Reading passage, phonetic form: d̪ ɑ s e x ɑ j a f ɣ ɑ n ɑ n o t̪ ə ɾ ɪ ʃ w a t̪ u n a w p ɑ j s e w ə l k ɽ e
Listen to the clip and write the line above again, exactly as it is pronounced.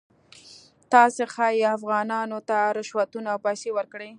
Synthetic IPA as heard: t̪ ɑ s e x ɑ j a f ɣ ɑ n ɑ n o t̪ a ɾ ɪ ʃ w a t̪ u n a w p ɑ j s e w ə ɾ k ɽ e

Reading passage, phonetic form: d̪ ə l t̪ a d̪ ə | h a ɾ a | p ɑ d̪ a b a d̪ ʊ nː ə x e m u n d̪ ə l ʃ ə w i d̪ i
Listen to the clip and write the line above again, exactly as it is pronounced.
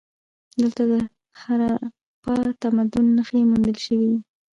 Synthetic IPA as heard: d̪ ə l t̪ a d̪ ə | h a ɾ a | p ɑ t̪ a m a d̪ ʊ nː ə x e m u n d̪ ə l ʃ ə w i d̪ i

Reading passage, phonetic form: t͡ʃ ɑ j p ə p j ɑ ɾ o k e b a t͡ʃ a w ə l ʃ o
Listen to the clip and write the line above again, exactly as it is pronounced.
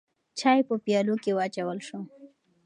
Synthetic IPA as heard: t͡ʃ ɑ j p ə p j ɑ l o k e w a t͡ʃ a w ə l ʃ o

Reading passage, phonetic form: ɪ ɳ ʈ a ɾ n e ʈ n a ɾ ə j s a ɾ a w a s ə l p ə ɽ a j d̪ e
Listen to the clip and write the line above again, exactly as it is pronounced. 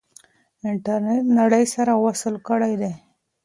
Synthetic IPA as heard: ɪ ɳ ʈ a ɾ n e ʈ n a ɽ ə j s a ɾ a w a s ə l k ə ɽ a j d̪ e

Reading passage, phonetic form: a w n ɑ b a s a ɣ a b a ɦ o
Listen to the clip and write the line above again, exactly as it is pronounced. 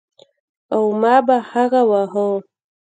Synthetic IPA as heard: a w m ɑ b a h a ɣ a w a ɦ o

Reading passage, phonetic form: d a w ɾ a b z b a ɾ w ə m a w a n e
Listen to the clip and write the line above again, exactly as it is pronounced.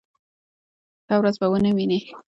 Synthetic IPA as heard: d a w ɾ a z b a w ə n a w i n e

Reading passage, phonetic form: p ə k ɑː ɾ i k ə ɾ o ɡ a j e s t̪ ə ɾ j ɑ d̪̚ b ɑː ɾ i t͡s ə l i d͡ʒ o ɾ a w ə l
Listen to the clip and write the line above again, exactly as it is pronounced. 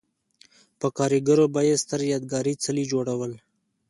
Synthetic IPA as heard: p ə k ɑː ɾ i ɡ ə ɾ o b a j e s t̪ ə ɾ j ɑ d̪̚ ɡ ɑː ɾ i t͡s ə l i d͡ʒ o ɽ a w ə l

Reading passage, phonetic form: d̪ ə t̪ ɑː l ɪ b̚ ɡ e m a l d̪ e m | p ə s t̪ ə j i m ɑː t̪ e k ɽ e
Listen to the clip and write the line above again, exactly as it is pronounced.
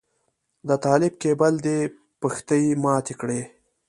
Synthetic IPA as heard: d̪ ə t̪ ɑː l ɪ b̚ k e b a l d̪ e | p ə x t̪ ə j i m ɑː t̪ e k ɽ e

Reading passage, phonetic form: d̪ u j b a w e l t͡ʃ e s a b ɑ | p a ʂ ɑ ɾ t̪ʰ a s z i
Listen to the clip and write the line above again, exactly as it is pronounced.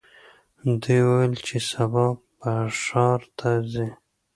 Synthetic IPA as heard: d̪ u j w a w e l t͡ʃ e s a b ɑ | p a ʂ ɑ ɾ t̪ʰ a z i

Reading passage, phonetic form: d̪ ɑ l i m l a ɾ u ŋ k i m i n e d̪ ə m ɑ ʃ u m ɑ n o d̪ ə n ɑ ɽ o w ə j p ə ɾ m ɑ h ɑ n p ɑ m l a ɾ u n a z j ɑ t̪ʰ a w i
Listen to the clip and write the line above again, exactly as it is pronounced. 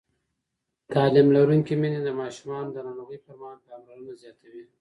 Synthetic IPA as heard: t̪ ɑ l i m l a ɾ u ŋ k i m i n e d̪ ə m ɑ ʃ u m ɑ n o d̪ ə n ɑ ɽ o ɣ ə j p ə ɾ m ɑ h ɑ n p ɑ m l a ɾ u n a z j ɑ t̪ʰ a w i

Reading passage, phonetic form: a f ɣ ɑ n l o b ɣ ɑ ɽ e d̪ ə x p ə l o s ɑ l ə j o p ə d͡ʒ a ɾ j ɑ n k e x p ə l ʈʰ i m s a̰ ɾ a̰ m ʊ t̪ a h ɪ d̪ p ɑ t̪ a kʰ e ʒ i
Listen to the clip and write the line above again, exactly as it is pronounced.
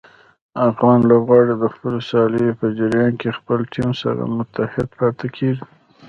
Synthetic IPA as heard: a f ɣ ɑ n l o b ɣ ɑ ɽ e d̪ ə x p ə l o s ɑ l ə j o p ə d͡ʒ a ɾ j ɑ n k e x p ə l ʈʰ i m s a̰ ɾ a̰ m ʊ t̪ a h ɪ d̪ p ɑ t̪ a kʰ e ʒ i

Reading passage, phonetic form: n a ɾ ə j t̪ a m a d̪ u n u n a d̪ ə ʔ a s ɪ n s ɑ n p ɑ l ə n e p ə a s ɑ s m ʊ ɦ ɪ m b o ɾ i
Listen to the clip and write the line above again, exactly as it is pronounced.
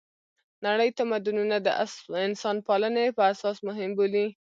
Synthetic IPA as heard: n a ɽ ə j t̪ a m a d̪ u n u n a d̪ ə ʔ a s ɪ n s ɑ n p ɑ l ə n e p ə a s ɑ s m ʊ ɦ ɪ m b o l i

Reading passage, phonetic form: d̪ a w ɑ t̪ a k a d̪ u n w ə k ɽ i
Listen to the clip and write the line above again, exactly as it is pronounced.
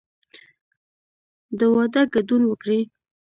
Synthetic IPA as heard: d̪ ə w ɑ d̪ a ɡ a d̪ u n w ə k ɽ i

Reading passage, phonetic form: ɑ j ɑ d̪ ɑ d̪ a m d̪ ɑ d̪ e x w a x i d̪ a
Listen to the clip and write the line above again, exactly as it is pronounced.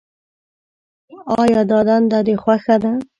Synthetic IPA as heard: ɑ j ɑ d̪ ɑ d̪ a n d̪ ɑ d̪ e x w a x a d̪ a

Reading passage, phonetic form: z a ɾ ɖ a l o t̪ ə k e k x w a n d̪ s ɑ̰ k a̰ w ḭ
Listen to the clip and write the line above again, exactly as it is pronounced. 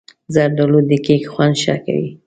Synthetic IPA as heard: z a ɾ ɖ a l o d̪ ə k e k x w a n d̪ ʃ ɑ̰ k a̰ w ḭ

